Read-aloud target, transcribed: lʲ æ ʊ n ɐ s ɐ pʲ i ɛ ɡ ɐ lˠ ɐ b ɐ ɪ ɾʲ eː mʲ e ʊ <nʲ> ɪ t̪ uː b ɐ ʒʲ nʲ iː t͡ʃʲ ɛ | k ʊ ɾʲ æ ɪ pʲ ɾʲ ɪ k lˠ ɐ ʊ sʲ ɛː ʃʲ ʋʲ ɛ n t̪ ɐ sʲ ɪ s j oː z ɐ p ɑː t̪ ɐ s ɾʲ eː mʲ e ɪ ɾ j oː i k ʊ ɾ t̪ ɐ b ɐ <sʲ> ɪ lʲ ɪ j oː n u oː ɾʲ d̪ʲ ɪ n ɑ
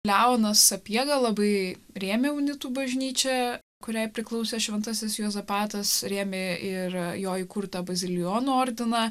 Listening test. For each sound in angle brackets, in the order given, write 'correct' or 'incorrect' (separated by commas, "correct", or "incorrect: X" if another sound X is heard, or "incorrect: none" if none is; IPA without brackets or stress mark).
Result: correct, incorrect: zʲ